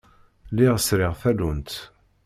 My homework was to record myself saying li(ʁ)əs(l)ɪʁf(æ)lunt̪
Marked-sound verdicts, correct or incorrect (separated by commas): correct, incorrect, correct